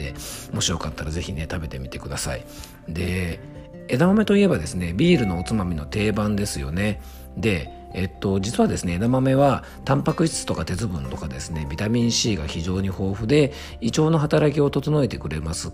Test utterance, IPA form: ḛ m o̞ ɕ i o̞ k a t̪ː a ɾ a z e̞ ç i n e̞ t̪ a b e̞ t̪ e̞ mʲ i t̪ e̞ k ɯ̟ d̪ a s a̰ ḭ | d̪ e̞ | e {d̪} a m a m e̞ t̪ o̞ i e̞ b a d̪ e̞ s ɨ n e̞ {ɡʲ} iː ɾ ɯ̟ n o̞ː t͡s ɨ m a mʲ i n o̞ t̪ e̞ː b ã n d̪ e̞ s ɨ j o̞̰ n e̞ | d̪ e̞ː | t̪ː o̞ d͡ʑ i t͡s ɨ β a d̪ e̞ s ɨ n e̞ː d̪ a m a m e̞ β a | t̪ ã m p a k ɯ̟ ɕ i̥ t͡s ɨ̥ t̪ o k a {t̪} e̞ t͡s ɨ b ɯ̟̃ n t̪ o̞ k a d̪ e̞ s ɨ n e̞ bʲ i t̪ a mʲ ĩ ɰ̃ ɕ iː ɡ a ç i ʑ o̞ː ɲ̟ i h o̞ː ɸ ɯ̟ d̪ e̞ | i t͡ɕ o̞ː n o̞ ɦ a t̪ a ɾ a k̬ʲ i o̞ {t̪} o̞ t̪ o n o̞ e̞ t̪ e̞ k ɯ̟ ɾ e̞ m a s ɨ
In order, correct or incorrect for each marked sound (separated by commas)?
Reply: correct, incorrect, correct, correct